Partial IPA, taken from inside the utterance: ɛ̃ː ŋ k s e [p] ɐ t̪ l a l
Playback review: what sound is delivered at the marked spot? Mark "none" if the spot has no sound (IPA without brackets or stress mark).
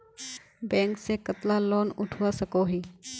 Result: k